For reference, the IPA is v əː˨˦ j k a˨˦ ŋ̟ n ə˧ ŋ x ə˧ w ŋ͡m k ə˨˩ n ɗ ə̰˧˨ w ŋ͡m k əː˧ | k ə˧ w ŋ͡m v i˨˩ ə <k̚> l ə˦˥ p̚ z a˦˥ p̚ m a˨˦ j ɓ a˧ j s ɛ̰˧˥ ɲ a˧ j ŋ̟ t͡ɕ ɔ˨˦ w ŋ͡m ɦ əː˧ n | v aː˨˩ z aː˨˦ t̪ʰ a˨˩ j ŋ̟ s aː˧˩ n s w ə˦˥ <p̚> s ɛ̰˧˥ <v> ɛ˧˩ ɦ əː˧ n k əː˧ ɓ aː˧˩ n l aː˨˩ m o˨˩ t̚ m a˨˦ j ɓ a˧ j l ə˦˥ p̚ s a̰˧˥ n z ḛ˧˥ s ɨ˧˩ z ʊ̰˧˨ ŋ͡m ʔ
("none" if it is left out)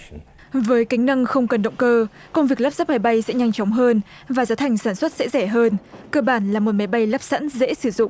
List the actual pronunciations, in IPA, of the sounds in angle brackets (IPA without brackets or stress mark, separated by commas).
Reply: k̚, t̚, z